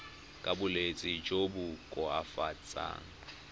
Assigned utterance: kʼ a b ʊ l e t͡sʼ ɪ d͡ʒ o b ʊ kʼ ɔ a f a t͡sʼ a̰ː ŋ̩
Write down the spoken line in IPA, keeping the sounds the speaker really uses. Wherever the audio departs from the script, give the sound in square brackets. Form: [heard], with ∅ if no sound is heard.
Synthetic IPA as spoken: kʼ a b ʊ l e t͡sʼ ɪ d͡ʒ o b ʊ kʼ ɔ a f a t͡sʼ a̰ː ŋ̩